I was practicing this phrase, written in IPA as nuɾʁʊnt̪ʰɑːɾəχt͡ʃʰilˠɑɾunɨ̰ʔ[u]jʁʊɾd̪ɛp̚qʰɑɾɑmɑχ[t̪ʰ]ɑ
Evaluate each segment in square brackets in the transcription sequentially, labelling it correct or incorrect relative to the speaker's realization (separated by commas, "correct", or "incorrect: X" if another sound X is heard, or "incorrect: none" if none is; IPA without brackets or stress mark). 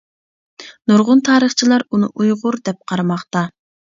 correct, incorrect: t̪